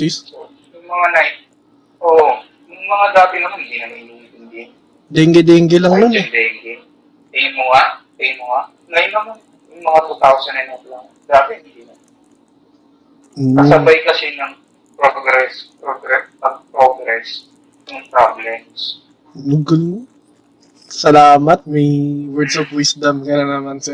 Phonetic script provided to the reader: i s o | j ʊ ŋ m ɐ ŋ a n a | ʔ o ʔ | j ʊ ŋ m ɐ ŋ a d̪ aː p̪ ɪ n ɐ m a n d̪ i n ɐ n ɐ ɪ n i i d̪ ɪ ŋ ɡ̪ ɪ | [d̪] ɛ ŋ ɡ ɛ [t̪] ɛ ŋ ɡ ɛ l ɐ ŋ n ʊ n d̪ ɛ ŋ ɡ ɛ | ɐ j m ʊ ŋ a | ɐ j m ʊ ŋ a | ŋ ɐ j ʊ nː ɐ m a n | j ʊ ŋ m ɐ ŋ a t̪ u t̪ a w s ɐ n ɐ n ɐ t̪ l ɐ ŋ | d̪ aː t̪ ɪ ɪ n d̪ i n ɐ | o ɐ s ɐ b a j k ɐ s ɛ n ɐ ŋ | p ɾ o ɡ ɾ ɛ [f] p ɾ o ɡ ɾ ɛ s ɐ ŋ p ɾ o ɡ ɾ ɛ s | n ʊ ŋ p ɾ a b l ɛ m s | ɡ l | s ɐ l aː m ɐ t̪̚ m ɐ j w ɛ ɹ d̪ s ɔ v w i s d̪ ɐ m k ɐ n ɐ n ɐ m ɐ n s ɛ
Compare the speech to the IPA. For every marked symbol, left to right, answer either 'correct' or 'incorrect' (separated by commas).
correct, incorrect, incorrect